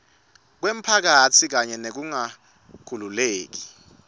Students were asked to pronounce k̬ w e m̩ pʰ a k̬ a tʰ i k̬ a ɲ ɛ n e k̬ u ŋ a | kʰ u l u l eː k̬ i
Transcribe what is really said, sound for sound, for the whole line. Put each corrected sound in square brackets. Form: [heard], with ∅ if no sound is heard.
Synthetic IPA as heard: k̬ w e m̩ pʰ a k̬ a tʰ i k̬ a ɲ ɛ n e k̬ u ŋ a | kʰ u l u l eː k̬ i